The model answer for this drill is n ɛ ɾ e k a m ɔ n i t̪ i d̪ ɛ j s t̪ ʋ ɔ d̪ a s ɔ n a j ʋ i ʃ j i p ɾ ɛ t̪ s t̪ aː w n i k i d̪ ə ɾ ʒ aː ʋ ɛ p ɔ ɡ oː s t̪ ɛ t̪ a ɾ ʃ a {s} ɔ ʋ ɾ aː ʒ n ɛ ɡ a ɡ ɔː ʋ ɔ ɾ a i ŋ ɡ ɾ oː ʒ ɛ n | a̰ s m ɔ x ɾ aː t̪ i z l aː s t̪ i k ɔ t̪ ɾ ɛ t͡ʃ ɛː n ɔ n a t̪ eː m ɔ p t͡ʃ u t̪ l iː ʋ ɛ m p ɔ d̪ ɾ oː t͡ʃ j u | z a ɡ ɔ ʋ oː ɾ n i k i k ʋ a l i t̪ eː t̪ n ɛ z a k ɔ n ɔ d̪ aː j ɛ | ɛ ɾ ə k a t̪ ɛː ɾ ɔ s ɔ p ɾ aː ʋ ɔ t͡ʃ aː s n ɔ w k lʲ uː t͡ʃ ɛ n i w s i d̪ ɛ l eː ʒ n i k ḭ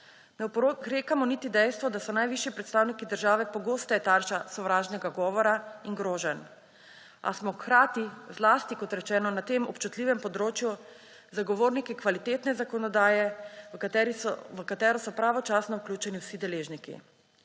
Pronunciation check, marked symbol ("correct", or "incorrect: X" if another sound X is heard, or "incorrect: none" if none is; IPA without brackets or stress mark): correct